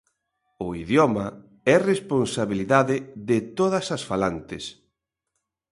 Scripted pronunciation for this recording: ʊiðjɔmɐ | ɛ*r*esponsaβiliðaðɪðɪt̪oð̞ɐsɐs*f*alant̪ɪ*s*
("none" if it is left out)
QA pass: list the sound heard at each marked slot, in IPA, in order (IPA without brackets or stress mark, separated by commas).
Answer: r, f, s